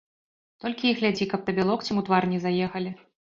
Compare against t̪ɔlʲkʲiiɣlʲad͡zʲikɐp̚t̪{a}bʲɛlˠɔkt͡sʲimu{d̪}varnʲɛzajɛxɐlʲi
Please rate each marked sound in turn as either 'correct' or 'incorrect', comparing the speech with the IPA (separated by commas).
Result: incorrect, incorrect